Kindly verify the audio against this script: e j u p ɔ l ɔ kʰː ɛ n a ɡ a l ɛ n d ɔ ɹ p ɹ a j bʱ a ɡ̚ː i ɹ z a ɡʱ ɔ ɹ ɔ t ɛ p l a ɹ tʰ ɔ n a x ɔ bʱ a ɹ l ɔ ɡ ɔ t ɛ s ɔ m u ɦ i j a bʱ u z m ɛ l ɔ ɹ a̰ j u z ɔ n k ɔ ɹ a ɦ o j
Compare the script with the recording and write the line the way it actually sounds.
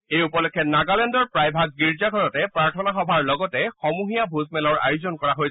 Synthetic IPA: e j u p ɔ l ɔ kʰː ɛ n a ɡ a l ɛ n d ɔ ɹ p ɹ a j bʱ a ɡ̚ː i ɹ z a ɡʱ ɔ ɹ ɔ t ɛ p ɹ a ɹ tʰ ɔ n a x ɔ bʱ a ɹ l ɔ ɡ ɔ t ɛ x ɔ m u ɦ i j a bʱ u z m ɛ l ɔ ɹ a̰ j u z ɔ n k ɔ ɹ a ɦ o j